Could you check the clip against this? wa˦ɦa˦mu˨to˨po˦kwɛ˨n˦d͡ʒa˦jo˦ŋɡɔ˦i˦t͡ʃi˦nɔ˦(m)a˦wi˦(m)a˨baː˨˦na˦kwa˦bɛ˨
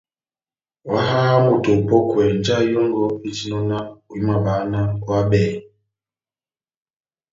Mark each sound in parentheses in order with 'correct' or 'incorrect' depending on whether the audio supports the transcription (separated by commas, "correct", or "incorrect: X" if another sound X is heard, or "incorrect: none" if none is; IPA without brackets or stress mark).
incorrect: n, correct